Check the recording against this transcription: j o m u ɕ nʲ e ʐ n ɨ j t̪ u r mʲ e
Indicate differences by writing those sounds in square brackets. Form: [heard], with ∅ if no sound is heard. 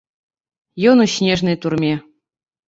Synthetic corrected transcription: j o [n] u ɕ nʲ e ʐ n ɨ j t̪ u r mʲ e